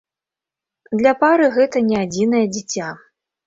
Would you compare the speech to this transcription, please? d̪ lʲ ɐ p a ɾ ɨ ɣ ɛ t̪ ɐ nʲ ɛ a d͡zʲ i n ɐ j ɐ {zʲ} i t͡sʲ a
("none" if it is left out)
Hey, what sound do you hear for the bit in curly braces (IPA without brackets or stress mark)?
d͡zʲ